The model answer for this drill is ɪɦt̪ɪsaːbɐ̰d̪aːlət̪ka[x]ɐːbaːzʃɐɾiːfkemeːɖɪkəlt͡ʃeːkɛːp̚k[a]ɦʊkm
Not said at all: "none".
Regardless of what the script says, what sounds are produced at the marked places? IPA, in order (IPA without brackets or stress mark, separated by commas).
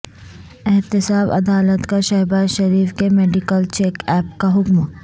ʃ, a